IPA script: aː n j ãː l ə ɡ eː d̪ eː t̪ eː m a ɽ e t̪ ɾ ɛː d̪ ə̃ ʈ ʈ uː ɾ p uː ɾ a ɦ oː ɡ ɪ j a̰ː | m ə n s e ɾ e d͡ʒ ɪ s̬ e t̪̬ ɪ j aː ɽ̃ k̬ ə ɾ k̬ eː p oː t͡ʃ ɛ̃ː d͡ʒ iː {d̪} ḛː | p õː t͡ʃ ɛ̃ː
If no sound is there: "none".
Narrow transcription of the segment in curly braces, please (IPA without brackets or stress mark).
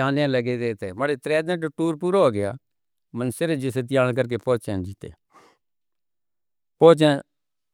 t̪